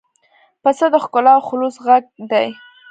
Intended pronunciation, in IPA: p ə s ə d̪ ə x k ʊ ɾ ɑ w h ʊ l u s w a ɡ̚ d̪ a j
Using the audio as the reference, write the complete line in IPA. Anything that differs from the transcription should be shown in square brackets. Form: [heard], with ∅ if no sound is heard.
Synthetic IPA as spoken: p ə s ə d̪ ə x k ʊ [l] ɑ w [x] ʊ l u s [ɣ] a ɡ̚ d̪ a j